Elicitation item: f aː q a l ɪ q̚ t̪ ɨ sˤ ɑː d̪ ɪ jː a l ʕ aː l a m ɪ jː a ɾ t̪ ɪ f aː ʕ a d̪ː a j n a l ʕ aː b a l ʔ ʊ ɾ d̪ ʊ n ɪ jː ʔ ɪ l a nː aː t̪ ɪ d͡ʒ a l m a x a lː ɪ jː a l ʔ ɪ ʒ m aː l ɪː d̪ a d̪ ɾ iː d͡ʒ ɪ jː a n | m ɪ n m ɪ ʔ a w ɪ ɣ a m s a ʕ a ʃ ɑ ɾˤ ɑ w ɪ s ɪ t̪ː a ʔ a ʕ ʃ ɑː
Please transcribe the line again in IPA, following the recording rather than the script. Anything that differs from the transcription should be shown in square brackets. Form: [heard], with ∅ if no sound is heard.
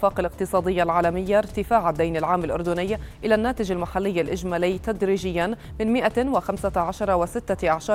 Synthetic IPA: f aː q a l ɪ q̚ t̪ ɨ sˤ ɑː d̪ ɪ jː a l ʕ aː l a m ɪ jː a ɾ t̪ ɪ f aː ʕ a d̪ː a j n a l ʕ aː [m] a l ʔ ʊ ɾ d̪ ʊ n ɪ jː ʔ ɪ l a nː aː t̪ ɪ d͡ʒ a l m a [ħ] a lː ɪ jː a l ʔ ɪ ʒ m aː l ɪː [t̪] a d̪ ɾ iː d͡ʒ ɪ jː a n | m ɪ n m ɪ ʔ a w ɪ [x] a m s a ʕ a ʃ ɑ ɾˤ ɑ w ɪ s ɪ t̪ː a ʔ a ʕ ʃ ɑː